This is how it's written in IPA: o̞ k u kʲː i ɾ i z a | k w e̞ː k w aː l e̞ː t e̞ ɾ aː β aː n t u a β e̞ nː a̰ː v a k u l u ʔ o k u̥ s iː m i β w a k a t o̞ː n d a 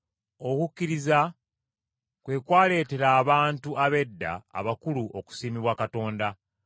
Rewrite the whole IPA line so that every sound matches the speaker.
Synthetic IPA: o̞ k u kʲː i ɾ i z a | k w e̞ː k w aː l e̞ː t e̞ ɾ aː β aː n t u a β e̞ dː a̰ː β a k u l u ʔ o k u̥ s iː m i β w a k a t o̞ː n d a